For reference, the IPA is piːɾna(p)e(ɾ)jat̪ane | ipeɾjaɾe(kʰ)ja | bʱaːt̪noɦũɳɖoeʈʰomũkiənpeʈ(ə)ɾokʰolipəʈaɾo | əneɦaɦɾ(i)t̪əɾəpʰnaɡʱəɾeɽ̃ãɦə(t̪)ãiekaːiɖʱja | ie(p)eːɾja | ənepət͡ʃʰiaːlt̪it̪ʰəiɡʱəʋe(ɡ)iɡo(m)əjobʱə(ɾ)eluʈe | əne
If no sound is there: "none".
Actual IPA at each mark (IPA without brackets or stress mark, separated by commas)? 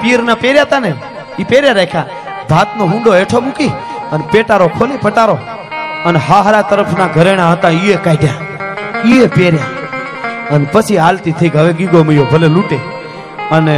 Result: p, ɾ, kʰ, a, a, t̪, p, ɡ, m, l